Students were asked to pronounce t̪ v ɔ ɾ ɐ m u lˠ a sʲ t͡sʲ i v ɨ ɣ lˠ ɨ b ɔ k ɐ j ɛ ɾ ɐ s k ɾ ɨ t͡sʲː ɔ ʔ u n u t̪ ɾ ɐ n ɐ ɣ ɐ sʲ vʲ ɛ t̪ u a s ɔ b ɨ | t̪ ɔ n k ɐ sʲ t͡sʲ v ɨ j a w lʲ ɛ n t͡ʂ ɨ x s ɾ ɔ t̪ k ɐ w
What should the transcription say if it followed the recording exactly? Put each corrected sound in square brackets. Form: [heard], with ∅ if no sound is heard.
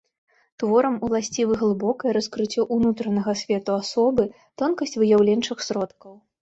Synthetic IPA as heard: t̪ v ɔ ɾ ɐ m u lˠ a sʲ t͡sʲ i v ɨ ɣ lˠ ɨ b ɔ k ɐ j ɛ ɾ ɐ s k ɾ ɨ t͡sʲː ɔ ʔ u n u t̪ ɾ ɐ n ɐ ɣ ɐ sʲ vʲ ɛ t̪ u a s ɔ b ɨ | t̪ ɔ n k ɐ sʲ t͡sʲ v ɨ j a w lʲ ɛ n t͡ʂ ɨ x s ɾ ɔ t̪ k ɐ w